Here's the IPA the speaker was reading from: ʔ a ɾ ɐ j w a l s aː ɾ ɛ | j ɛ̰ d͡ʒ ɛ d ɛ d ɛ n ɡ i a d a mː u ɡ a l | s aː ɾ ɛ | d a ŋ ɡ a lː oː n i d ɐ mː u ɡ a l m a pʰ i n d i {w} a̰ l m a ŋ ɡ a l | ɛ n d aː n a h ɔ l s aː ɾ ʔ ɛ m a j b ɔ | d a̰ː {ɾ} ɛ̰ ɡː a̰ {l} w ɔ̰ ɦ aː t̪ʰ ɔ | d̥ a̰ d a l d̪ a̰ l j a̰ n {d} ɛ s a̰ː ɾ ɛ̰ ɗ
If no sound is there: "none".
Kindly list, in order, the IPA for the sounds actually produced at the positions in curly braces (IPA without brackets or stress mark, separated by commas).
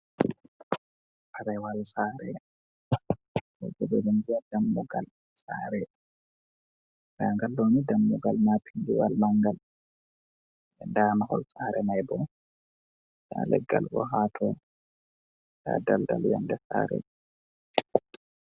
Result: w, l, l, d